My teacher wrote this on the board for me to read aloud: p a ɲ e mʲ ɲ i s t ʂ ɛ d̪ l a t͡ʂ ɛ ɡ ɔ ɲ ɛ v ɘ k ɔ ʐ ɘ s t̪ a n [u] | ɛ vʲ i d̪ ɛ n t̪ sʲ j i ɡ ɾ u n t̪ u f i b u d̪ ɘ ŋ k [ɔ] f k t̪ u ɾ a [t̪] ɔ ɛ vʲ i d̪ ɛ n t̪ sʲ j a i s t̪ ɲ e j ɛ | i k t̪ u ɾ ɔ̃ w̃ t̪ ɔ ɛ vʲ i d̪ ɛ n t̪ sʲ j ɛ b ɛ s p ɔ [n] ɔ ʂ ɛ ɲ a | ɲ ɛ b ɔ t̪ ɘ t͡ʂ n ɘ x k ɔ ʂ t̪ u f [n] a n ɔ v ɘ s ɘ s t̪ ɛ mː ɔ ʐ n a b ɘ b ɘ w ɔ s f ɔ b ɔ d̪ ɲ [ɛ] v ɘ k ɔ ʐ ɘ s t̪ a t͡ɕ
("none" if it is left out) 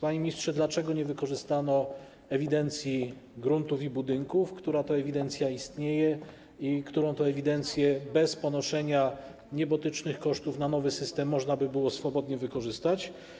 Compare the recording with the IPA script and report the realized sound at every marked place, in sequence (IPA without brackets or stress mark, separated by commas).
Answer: ɔ, u, t̪, n, n, ɛ